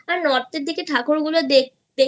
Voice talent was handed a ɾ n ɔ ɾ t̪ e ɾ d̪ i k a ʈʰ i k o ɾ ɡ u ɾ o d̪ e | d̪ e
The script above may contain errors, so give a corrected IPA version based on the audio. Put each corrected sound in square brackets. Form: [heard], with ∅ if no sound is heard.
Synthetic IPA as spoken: a ɾ n ɔ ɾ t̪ e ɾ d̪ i k [e] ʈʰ [a] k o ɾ ɡ u [l] o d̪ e | d̪ e